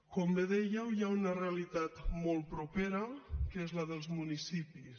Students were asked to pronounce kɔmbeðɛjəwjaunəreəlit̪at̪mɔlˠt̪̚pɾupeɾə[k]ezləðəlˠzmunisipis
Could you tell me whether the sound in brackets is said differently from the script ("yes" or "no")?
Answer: no